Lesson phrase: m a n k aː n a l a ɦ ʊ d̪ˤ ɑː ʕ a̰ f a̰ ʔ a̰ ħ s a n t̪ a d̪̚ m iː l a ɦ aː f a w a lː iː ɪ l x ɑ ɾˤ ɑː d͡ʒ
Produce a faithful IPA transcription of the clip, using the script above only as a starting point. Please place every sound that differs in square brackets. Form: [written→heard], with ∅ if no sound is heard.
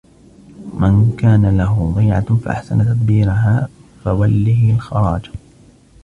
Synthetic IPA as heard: m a n k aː n a l a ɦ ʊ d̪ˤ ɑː ʕ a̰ f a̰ ʔ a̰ ħ s a n t̪ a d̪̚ [m→b] iː [l→ɾ] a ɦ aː f a w a lː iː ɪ l x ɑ ɾˤ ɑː d͡ʒ